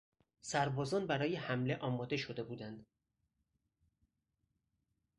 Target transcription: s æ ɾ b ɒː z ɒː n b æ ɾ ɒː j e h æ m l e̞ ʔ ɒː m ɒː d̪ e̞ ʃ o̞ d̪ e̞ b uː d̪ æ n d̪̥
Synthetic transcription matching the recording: s æ ɾ b ɒː z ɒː n b æ ɾ ɒː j e h æ m l e̞ ʔ ɒː m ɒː d̪ e̞ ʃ o̞ d̪ e̞ b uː d̪ æ n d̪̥